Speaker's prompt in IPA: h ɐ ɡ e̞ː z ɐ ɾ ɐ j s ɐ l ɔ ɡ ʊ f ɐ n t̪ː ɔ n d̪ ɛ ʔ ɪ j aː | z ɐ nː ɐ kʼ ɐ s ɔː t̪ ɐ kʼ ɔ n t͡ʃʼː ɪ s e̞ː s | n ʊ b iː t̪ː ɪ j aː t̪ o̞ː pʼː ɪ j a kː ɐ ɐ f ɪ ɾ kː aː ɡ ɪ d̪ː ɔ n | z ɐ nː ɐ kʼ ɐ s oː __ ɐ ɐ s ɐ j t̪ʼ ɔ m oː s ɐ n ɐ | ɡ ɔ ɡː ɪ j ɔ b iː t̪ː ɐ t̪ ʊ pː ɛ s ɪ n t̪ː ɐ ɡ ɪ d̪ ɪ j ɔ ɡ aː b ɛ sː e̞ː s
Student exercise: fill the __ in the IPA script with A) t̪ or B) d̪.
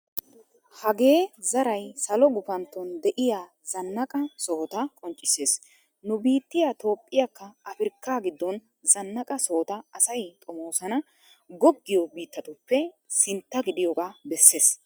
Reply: A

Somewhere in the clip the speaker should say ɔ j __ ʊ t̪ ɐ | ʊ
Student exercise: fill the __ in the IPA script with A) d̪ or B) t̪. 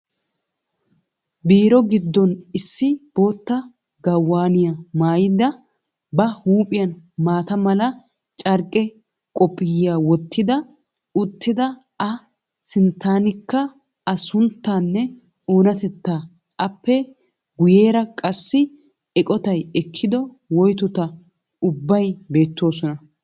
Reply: B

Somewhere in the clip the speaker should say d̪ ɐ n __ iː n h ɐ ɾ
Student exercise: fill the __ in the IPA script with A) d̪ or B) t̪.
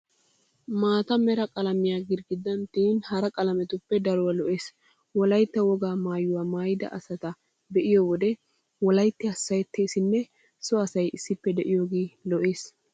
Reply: B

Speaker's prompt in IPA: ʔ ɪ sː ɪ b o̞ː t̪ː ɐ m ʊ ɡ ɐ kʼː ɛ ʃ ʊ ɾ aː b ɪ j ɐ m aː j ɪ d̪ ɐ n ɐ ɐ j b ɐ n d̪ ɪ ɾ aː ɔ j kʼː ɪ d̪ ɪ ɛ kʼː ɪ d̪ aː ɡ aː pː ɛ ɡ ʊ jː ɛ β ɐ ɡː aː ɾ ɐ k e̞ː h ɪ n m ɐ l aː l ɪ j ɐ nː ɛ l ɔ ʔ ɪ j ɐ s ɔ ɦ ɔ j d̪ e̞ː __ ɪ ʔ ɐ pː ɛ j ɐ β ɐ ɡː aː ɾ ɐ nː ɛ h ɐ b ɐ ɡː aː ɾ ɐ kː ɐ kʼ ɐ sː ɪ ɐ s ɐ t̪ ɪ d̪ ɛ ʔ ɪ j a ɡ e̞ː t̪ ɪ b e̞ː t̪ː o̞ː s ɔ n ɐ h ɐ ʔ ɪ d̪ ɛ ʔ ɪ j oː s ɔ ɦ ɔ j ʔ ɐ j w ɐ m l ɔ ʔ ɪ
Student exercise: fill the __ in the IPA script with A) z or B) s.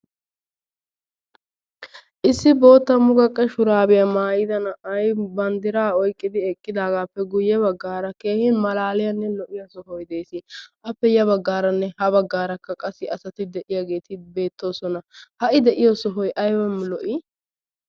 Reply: B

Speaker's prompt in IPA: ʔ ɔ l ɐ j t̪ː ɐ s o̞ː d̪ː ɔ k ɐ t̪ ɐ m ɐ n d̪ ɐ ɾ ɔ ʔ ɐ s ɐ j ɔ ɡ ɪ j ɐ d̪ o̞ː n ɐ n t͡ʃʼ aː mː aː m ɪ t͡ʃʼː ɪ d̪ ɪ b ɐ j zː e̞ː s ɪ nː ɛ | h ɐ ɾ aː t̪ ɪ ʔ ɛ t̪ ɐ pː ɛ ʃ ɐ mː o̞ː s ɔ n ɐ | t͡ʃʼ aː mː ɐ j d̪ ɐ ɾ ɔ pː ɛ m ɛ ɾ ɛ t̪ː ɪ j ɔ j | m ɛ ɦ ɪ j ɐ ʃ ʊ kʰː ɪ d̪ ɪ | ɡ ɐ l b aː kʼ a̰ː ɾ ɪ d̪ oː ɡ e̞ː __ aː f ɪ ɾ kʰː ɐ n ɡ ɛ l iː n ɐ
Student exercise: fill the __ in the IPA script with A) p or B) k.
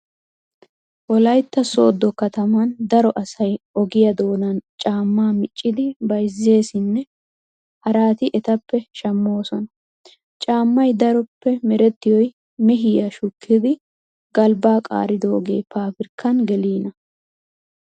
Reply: A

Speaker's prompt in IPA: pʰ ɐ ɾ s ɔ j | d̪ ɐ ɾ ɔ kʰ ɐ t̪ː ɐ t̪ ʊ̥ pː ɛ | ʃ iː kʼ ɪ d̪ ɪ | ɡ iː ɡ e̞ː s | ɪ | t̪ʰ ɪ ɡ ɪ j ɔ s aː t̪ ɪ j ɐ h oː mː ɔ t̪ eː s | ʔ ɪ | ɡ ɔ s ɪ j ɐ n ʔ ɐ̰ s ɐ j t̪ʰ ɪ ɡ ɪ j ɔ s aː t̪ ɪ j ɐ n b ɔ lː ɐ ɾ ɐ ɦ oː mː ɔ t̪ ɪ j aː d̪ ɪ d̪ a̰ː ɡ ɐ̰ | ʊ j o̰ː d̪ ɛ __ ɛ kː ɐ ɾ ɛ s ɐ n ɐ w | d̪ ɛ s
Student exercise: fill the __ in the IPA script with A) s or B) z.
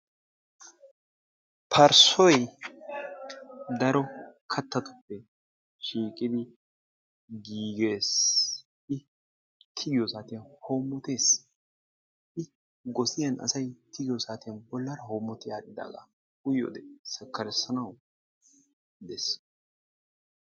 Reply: A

